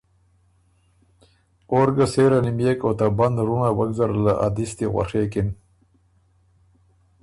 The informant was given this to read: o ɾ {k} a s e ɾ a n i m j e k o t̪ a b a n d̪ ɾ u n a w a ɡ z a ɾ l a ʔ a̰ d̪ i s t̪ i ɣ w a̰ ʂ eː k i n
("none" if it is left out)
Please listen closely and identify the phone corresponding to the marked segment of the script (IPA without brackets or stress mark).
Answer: ɡ